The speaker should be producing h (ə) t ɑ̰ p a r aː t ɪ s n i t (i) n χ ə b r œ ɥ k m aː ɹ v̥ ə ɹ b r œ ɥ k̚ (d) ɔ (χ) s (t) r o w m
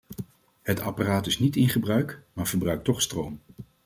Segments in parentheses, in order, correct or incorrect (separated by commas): correct, incorrect, incorrect, correct, correct